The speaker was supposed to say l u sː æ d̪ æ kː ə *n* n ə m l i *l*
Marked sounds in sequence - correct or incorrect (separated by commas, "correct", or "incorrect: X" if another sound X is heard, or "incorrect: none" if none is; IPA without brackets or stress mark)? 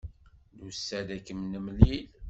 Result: incorrect: m, correct